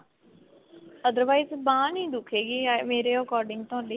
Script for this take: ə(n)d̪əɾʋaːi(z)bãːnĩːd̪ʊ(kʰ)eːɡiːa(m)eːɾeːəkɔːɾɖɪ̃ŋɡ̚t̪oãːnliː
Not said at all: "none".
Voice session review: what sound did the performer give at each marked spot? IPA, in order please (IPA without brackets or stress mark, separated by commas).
none, z, kʰ, m